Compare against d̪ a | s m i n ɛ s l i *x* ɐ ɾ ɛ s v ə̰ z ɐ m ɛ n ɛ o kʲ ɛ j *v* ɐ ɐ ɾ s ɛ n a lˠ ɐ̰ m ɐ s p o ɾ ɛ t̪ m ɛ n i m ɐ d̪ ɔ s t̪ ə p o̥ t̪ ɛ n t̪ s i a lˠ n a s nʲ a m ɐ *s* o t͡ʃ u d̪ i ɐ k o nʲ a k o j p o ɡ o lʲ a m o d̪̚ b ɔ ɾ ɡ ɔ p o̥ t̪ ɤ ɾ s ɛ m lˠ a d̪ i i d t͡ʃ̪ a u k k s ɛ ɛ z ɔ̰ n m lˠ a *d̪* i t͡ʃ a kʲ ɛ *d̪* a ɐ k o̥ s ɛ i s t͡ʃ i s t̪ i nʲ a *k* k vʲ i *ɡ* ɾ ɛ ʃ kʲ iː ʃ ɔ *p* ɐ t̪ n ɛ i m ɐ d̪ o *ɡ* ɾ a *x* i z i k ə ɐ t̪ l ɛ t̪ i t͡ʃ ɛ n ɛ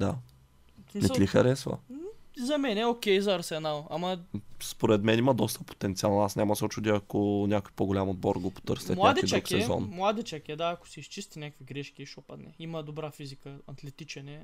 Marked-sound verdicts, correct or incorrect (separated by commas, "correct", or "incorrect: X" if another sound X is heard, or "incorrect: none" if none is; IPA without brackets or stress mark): correct, incorrect: z, correct, correct, correct, correct, correct, correct, incorrect: b, incorrect: f